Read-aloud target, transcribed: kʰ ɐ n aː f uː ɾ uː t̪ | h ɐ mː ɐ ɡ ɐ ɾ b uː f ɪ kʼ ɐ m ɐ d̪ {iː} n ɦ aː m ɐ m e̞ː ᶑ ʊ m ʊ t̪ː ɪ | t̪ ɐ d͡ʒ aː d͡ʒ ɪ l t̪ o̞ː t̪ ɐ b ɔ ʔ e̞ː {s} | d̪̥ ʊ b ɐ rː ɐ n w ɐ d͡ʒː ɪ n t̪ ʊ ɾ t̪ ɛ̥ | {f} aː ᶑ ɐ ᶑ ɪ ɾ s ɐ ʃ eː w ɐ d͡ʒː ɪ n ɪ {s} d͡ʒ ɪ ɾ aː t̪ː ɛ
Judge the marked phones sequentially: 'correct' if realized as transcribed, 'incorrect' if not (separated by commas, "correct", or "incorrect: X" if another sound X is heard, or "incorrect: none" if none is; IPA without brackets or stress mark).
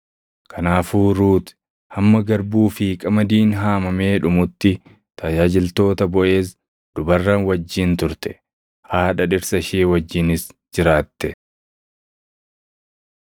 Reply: correct, correct, incorrect: h, correct